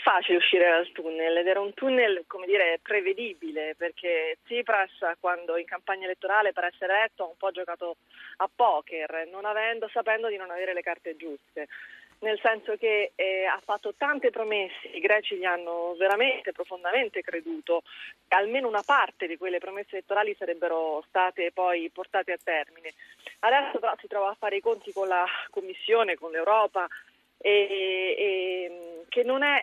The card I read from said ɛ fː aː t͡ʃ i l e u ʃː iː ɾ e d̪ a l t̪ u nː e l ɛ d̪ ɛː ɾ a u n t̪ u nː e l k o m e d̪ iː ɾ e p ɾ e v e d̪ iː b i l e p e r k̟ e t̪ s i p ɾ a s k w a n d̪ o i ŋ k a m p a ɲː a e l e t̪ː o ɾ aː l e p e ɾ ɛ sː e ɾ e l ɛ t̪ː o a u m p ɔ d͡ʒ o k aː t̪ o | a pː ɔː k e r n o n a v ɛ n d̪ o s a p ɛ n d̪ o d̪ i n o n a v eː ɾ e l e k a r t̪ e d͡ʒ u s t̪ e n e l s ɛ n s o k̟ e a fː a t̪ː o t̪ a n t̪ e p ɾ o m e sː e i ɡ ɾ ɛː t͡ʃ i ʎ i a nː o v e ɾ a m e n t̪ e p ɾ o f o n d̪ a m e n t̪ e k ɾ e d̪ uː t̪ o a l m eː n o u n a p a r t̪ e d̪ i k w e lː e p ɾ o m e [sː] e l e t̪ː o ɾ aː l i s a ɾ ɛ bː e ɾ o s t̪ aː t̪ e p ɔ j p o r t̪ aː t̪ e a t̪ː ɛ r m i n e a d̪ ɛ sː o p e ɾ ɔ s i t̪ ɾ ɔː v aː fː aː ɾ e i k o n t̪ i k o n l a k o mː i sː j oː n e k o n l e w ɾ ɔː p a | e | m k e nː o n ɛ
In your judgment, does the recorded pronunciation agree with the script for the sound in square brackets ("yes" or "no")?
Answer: yes